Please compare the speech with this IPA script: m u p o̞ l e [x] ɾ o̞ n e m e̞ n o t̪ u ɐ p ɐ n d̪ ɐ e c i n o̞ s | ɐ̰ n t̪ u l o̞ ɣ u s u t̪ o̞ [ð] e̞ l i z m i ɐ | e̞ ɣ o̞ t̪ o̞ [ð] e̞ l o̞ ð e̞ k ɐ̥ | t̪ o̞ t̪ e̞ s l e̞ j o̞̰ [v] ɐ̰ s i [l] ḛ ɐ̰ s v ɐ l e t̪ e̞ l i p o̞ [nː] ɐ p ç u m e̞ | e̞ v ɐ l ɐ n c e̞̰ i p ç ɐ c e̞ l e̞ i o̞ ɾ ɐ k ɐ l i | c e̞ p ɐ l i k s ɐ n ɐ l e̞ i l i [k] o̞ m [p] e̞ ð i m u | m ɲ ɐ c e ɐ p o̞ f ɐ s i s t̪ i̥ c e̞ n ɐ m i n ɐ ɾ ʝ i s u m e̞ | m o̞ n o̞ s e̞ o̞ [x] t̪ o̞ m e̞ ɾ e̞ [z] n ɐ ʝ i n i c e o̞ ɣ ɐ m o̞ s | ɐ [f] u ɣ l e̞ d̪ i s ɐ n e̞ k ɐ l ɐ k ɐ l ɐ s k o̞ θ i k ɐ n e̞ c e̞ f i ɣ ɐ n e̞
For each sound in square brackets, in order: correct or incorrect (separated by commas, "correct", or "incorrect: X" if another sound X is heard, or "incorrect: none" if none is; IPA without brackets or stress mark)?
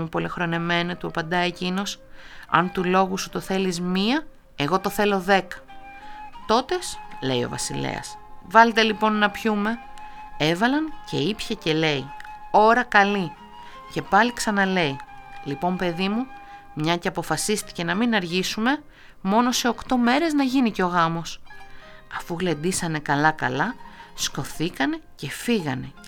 correct, incorrect: θ, incorrect: θ, correct, correct, correct, incorrect: p, correct, incorrect: k, correct, correct